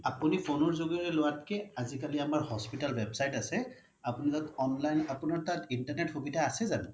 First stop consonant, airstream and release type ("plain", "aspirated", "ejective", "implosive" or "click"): plain